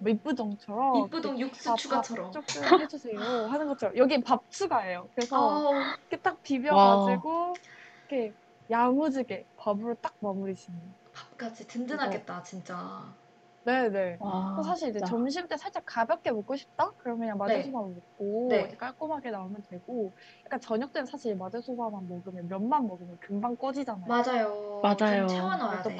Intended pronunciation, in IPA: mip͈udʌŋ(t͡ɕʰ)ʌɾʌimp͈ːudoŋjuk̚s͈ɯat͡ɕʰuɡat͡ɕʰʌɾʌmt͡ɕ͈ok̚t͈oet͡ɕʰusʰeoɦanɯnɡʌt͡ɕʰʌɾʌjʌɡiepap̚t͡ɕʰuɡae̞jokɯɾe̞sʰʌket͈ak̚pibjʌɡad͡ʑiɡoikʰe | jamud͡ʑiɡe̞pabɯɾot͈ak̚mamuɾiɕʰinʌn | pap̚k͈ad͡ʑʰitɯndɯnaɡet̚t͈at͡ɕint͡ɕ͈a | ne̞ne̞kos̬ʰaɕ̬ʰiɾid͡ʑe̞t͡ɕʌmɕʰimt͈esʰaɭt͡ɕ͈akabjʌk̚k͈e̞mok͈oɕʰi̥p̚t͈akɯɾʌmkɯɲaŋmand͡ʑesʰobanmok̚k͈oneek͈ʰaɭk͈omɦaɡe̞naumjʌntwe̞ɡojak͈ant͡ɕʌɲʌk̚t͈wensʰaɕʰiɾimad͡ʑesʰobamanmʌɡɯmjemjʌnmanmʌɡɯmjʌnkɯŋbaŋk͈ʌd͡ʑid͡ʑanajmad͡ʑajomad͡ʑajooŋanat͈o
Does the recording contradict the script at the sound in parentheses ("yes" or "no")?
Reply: no